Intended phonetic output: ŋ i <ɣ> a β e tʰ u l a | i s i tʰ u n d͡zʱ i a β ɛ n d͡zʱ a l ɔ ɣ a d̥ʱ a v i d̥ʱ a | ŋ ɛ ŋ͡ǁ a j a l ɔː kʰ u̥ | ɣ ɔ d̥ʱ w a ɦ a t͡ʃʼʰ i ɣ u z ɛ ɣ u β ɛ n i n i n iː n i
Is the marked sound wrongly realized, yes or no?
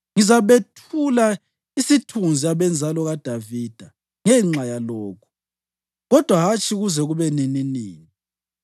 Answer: yes